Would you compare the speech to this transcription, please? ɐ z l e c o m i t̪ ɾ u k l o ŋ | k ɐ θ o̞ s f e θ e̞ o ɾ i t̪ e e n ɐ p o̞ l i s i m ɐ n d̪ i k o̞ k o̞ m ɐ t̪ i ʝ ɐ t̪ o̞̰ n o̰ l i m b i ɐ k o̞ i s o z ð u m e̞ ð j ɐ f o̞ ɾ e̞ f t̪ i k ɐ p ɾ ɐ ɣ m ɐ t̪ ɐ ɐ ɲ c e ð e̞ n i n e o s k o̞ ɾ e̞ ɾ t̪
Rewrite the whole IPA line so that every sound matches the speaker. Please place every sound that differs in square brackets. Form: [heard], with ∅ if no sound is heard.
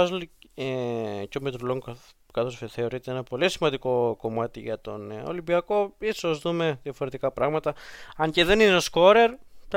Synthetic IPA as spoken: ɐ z l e c o m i t̪ ɾ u [∅] l o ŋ | k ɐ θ o̞ s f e θ e̞ o ɾ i t̪ e e n ɐ p o̞ l i s i m ɐ n d̪ i k o̞ k o̞ m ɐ t̪ i ʝ ɐ t̪ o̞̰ n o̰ l i m b i ɐ k o̞ i s o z ð u m e̞ ð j ɐ f o̞ ɾ e̞ [∅] t̪ i k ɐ p ɾ ɐ ɣ m ɐ t̪ ɐ ɐ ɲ c e ð e̞ n i n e o s k o̞ ɾ e̞ ɾ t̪